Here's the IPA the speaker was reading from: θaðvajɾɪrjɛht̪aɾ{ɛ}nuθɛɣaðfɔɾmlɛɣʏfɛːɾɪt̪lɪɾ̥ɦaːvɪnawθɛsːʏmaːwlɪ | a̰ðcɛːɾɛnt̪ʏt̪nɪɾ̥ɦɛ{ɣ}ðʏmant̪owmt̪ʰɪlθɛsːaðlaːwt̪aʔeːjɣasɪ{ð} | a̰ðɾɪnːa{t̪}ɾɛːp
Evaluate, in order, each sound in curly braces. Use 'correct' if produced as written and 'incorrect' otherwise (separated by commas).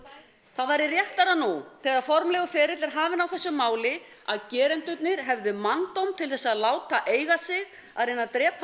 incorrect, incorrect, incorrect, correct